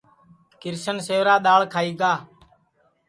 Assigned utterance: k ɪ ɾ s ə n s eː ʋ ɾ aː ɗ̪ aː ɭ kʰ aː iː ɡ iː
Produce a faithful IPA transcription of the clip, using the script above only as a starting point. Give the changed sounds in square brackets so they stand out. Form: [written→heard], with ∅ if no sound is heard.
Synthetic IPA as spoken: k ɪ ɾ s ə n s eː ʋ ɾ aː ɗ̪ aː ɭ kʰ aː iː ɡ [iː→aː]